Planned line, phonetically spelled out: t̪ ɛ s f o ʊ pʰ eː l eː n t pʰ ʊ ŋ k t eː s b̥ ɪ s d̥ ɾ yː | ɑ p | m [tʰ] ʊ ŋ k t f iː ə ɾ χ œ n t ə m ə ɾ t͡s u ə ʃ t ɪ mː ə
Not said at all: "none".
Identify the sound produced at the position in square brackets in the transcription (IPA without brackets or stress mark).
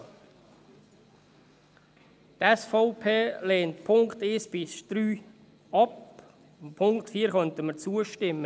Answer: pʰ